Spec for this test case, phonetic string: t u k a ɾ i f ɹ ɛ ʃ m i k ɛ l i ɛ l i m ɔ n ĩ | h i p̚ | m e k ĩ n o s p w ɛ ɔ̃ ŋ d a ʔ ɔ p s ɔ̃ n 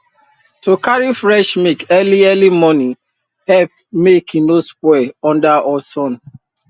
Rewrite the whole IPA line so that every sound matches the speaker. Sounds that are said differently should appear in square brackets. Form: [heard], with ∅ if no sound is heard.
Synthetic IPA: t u k a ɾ i f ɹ ɛ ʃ m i k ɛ l i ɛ l i m ɔ n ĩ | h [ɛ] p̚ | m e k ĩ n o s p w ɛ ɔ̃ [n] d a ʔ ɔ [∅] s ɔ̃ n